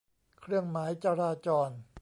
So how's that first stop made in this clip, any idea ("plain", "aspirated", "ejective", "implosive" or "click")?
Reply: aspirated